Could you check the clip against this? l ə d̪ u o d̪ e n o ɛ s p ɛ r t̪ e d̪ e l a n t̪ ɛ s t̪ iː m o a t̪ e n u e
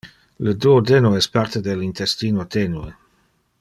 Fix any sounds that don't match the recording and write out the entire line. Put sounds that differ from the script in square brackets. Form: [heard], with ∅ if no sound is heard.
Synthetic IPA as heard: l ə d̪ u o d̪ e n o ɛ s p [a] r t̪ e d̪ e l [i] n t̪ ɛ s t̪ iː [n] o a t̪ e n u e